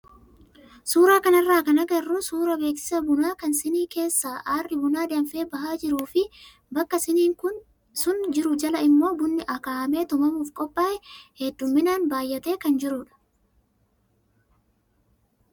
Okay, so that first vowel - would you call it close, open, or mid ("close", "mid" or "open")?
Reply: close